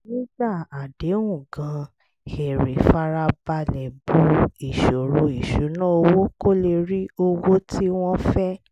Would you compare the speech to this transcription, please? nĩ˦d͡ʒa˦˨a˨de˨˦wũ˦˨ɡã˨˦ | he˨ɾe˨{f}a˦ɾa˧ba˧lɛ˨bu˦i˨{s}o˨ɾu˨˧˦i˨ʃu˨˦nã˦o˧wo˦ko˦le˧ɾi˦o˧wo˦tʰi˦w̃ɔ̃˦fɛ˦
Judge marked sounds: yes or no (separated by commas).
yes, no